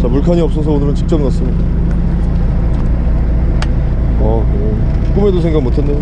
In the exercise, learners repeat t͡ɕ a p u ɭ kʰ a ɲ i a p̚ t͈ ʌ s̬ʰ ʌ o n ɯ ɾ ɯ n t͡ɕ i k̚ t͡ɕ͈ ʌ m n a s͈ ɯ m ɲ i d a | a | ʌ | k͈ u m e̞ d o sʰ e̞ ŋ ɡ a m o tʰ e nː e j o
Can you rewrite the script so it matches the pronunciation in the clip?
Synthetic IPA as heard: t͡ɕ a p u ɭ kʰ a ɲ i ʌ p̚ s͈ ʌ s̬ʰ ʌ o n ɯ ɾ ɯ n t͡ɕ i k̚ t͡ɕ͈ ʌ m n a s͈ ɯ m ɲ i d a | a | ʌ | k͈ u m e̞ d o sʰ e̞ ŋ ɡ a m o tʰ e nː e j o